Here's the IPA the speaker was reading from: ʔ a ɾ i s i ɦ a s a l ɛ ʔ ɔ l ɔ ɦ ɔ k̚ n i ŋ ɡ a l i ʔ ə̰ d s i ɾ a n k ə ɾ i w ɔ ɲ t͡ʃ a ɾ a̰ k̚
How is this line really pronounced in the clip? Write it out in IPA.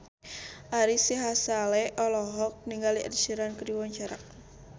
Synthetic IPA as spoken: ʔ a ɾ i s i ɦ a s a l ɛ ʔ ɔ l ɔ ɦ ɔ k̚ n i ŋ ɡ a l i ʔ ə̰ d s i ɾ a n k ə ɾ i w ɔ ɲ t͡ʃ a ɾ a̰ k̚